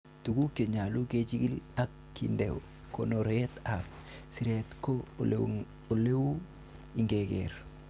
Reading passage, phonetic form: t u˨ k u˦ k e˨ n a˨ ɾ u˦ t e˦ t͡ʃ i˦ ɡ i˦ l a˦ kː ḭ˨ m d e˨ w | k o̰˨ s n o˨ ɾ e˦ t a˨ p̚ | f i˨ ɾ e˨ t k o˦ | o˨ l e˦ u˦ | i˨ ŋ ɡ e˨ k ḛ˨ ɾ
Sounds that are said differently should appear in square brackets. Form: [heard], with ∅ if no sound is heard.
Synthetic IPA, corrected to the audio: t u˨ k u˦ k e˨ [ɲ] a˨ [l] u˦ [k] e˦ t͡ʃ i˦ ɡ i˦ l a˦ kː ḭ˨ [n] d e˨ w | k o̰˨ [∅] n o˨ ɾ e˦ t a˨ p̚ | [s] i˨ ɾ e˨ t k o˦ | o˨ l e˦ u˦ | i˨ ŋ ɡ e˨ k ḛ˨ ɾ

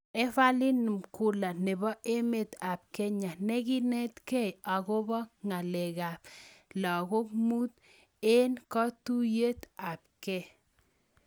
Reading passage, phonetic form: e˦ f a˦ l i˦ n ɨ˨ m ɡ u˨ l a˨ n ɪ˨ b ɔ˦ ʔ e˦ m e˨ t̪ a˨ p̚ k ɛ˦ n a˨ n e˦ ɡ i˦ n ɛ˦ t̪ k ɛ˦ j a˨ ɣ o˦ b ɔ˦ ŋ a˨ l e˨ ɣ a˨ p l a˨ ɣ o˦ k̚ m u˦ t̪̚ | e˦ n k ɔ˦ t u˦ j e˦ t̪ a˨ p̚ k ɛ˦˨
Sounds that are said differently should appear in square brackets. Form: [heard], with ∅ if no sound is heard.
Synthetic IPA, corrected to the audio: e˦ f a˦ l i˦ n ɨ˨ m [k] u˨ l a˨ n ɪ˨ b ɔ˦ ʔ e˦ m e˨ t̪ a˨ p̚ k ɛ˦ [ɲ] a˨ n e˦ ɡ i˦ n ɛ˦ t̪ k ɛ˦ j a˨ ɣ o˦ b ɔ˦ ŋ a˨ l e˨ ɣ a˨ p l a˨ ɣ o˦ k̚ m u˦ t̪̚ | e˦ n k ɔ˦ t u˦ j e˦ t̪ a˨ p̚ k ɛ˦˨

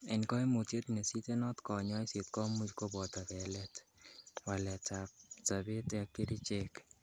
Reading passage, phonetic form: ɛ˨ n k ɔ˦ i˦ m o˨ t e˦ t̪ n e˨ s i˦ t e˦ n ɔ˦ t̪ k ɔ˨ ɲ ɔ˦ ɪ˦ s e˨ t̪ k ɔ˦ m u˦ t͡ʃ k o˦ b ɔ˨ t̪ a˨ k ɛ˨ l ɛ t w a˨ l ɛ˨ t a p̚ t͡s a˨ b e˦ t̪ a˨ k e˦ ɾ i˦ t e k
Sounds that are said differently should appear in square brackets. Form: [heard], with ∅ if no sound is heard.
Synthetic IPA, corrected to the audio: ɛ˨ n k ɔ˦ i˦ m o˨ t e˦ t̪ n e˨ s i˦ t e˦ n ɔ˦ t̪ k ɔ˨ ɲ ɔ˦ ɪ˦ s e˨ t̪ k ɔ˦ m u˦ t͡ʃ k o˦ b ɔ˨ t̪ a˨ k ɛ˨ l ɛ t w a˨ l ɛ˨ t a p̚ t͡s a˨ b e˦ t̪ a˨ k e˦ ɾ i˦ [t͡ʃ] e k

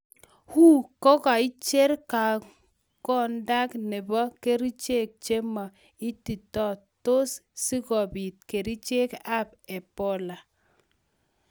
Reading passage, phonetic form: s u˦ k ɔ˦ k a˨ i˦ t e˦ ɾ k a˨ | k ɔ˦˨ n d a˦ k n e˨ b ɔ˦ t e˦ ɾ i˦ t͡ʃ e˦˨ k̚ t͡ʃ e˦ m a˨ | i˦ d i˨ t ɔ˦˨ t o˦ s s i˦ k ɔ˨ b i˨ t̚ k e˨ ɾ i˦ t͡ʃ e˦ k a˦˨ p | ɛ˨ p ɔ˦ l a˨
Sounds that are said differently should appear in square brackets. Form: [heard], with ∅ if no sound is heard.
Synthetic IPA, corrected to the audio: [h] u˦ k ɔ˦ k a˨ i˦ [t͡ʃ] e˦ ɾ k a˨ | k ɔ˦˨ n d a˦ k n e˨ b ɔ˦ [k] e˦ ɾ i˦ t͡ʃ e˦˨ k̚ t͡ʃ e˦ m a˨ | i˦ [t] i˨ t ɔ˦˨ t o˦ s s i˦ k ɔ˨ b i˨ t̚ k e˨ ɾ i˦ t͡ʃ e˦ k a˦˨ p | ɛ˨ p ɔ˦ l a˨

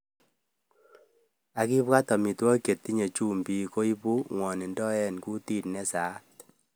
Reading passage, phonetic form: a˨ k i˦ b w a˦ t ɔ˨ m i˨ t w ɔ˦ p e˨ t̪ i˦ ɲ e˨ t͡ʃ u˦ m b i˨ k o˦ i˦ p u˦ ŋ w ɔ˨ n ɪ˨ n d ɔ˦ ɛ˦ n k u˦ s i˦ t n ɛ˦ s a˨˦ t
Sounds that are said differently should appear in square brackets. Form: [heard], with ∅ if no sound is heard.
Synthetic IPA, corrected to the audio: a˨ k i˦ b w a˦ t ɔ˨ m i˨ t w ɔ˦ [k] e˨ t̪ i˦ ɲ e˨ t͡ʃ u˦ m b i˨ k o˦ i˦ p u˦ ŋ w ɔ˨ n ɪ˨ n d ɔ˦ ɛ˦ n k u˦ [t] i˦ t n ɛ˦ s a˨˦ t

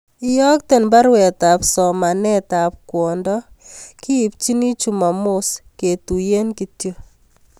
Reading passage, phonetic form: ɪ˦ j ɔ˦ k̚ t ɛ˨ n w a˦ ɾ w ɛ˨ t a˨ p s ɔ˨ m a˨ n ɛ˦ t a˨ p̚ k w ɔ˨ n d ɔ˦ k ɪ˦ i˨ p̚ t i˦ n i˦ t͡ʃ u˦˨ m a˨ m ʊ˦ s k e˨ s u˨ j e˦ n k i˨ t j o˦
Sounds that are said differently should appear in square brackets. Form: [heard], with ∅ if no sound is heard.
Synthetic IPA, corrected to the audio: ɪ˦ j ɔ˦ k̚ t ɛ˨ n [b] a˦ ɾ w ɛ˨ t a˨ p s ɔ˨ m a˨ n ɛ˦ t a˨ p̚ k w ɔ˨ n d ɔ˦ k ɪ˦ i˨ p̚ [t͡ʃ] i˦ n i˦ t͡ʃ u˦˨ m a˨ m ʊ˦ s k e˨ [t] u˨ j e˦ n k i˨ t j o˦

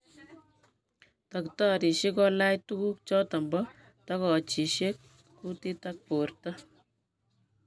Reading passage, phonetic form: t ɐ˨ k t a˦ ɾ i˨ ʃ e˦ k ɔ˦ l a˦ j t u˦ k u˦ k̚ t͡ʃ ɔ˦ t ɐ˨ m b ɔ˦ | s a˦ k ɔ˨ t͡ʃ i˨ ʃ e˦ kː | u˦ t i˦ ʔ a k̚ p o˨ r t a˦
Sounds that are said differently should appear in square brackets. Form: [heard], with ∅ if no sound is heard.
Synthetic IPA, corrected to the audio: t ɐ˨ k t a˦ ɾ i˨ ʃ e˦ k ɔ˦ l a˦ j t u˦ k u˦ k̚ t͡ʃ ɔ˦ t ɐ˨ m b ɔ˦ | [t] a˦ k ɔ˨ t͡ʃ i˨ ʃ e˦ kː | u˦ t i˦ [t] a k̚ p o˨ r t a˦

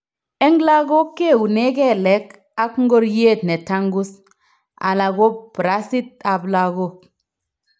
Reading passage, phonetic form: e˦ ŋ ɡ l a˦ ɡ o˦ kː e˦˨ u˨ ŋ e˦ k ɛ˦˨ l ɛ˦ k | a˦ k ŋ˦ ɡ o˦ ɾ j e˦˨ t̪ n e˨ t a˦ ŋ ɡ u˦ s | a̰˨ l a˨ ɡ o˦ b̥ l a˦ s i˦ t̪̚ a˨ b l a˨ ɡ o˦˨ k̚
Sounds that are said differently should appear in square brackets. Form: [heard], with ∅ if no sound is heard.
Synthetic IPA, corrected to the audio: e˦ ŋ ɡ l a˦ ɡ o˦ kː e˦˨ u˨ [n] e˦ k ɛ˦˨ l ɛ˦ k | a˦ k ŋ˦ ɡ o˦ ɾ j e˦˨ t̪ n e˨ t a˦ ŋ ɡ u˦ s | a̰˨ l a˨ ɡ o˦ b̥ [ɾ] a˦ s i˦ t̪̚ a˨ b l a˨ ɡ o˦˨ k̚

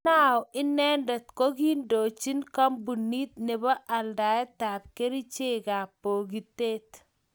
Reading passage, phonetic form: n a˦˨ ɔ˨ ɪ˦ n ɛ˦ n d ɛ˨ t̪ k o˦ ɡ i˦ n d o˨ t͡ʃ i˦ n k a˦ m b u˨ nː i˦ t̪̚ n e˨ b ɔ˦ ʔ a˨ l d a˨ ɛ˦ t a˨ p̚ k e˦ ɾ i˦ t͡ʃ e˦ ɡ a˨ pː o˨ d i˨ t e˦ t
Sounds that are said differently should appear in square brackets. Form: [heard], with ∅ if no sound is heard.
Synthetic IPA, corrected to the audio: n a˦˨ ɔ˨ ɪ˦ n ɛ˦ n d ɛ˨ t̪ k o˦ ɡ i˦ n d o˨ t͡ʃ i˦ n k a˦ m b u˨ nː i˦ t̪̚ n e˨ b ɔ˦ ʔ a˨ l d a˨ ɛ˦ t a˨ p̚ k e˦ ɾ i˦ t͡ʃ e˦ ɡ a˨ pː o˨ [ɡ] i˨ t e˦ t

